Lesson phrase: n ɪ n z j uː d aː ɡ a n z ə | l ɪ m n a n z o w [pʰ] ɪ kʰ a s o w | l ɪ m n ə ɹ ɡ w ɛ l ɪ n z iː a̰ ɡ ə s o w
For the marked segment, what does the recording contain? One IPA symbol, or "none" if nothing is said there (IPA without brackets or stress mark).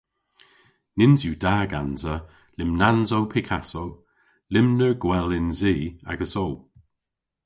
pʰ